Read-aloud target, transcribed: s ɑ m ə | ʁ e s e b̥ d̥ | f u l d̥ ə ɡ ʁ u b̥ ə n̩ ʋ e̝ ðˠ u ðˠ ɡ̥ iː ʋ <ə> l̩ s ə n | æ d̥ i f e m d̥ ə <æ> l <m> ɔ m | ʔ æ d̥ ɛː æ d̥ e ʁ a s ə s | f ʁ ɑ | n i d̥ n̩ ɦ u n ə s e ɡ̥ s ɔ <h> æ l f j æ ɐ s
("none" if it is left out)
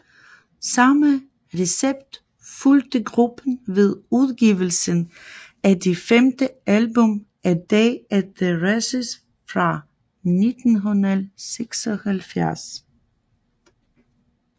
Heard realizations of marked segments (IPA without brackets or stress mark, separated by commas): ə, æ, b, h